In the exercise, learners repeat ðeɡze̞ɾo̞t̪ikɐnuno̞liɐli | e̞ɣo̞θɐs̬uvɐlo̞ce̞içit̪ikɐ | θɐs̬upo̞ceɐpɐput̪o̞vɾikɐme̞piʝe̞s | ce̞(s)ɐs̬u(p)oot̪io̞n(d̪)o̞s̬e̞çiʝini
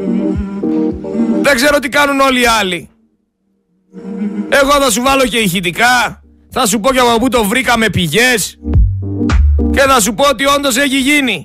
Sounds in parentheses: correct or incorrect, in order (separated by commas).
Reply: incorrect, correct, correct